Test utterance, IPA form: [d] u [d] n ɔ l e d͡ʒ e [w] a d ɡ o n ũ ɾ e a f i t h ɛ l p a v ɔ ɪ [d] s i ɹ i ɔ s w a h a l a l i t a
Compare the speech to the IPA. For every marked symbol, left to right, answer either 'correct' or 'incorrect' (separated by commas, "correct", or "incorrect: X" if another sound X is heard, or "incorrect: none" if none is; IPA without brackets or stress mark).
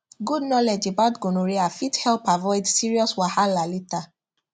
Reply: incorrect: ɡ, correct, incorrect: b, correct